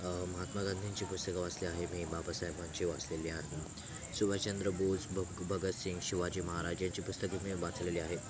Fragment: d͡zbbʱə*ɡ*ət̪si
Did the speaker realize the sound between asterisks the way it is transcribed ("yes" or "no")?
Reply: yes